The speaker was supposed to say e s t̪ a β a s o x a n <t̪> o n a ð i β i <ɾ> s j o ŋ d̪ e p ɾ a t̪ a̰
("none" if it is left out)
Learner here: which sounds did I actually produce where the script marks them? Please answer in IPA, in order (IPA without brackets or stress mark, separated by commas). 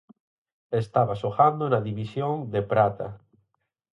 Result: d̪, none